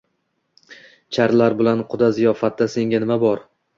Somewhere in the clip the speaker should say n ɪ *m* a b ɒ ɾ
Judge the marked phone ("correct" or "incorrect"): correct